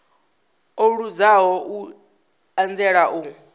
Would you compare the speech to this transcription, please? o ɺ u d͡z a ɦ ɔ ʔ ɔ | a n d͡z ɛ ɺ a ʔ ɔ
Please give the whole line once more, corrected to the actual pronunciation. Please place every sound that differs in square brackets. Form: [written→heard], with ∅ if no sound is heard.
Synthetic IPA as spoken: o ɺ u d͡z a ɦ ɔ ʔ [ɔ→u] | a n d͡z ɛ ɺ a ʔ [ɔ→u]